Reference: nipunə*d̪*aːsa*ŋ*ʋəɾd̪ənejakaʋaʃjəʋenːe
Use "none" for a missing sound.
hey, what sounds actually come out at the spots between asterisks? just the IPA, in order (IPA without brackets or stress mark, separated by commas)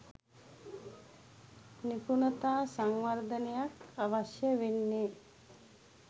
t̪, ŋ